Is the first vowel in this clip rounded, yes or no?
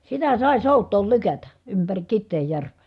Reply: no